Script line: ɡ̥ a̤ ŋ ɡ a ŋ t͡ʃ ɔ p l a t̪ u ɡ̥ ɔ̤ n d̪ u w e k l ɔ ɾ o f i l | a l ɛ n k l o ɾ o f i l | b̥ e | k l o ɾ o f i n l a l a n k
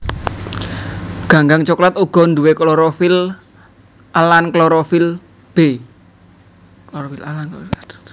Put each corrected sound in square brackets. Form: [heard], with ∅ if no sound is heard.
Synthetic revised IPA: ɡ̥ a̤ ŋ ɡ a ŋ t͡ʃ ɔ [k] l a t̪ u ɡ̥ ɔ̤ n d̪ u w e k l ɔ ɾ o f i l | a l [a] n k l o ɾ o f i l | b̥ e | k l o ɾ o f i [∅] l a l a n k